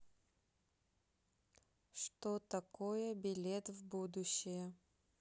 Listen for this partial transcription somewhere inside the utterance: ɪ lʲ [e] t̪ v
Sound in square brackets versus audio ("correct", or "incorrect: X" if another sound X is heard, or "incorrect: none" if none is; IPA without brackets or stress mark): correct